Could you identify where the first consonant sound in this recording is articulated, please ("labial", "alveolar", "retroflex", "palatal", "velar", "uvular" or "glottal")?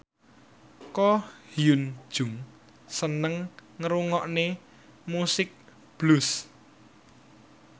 velar